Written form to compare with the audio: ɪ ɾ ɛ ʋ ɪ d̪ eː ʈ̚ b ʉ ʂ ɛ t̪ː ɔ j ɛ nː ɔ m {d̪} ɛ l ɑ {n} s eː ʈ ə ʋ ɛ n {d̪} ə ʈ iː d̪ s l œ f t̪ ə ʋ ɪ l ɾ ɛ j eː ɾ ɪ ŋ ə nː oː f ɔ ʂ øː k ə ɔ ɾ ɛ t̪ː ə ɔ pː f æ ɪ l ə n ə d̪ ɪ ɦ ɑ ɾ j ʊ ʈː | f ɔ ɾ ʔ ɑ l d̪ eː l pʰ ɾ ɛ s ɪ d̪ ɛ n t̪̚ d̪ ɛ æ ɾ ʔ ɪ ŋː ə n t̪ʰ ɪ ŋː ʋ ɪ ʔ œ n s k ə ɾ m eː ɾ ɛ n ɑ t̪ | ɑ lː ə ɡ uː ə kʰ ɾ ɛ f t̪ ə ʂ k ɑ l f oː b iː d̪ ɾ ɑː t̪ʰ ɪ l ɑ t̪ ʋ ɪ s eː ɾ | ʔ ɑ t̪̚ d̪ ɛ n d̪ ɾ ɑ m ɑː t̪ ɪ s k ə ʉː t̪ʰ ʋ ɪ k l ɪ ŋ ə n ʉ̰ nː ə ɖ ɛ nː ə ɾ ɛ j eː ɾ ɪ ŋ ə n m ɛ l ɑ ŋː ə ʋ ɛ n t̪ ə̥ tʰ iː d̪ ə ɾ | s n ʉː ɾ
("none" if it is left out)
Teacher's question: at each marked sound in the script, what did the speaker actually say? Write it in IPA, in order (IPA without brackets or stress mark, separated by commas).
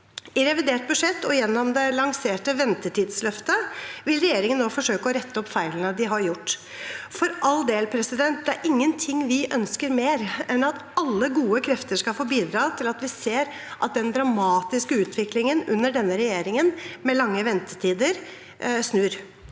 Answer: d̪, ŋ, t̪